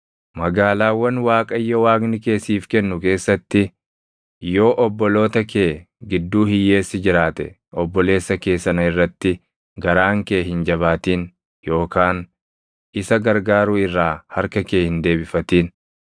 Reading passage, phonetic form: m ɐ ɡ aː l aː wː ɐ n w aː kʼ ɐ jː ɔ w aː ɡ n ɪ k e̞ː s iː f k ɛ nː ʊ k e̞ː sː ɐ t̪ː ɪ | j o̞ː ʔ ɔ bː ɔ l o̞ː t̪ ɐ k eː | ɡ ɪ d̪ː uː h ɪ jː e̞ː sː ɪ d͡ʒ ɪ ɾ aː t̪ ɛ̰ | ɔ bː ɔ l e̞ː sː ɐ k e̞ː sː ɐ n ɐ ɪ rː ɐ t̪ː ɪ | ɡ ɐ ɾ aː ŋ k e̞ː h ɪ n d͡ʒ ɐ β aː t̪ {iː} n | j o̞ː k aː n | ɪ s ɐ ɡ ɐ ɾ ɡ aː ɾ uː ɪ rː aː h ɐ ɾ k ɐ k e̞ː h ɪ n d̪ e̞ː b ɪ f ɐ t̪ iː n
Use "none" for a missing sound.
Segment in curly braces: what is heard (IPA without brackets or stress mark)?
iː